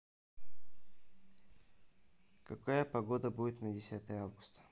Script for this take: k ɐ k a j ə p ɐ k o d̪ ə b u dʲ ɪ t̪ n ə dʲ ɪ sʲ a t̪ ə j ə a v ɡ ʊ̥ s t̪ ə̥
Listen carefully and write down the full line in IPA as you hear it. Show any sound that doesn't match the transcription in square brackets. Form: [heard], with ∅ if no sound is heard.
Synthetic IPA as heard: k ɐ k a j ə p ɐ [ɡ] o d̪ ə b u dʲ ɪ t̪ n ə dʲ ɪ sʲ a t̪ ə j ə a v ɡ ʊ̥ s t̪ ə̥